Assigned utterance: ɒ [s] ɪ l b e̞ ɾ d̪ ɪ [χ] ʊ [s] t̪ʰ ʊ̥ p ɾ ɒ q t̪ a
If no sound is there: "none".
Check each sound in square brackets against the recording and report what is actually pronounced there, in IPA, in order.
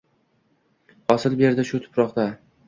s, ʃ, none

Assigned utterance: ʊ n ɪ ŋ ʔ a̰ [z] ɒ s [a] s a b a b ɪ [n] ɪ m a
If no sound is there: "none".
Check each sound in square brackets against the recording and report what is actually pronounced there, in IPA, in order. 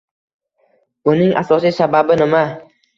s, i, n

